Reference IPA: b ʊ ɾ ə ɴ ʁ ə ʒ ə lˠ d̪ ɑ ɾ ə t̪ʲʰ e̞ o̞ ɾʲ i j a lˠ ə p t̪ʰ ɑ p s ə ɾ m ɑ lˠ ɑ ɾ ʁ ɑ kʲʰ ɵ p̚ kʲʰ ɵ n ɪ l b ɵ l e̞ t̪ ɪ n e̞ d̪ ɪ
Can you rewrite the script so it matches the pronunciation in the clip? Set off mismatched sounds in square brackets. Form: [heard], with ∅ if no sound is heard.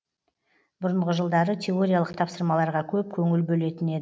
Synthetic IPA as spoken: b ʊ ɾ ə ɴ ʁ ə ʒ ə lˠ d̪ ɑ ɾ ə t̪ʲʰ e̞ o̞ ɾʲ i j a lˠ ə [q] t̪ʰ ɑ p s ə ɾ m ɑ lˠ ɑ ɾ ʁ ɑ kʲʰ ɵ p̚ kʲʰ ɵ [ŋ] ɪ l b ɵ l e̞ t̪ ɪ n e̞ d̪ ɪ